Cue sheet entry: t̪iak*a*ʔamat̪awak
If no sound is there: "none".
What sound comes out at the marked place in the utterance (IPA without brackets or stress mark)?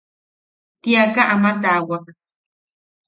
a